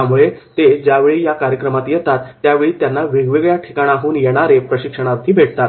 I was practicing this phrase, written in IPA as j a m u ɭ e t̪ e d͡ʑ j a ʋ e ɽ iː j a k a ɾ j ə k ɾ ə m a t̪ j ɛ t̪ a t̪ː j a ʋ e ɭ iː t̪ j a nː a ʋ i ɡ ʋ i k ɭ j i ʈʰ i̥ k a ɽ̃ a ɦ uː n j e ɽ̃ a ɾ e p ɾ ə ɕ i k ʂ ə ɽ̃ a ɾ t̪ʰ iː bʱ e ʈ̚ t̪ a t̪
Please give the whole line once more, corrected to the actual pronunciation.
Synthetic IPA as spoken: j a m u ɭ e t̪ e d͡ʑ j a ʋ e ɭ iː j a k a ɾ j ə k ɾ ə m a t̪ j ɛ t̪ a t̪ː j a ʋ e ɭ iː t̪ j a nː a ʋ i ɡ ʋ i ɡ ɭ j a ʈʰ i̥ k a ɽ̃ a ɦ uː n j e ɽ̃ a ɾ e p ɾ ə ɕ i k ʂ ə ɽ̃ a ɾ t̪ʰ iː bʱ e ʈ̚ t̪ a t̪